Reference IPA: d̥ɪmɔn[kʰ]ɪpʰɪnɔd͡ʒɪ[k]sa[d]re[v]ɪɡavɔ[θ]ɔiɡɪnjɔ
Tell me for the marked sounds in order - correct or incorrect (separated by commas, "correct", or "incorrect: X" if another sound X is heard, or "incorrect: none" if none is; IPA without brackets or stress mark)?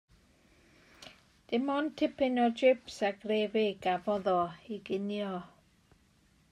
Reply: incorrect: tʰ, incorrect: p, incorrect: ɡ, correct, incorrect: ð